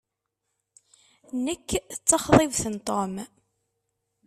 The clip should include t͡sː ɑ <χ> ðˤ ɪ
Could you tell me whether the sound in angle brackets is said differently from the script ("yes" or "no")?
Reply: no